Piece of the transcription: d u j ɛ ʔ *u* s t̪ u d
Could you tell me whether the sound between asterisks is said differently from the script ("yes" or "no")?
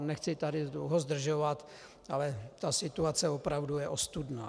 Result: yes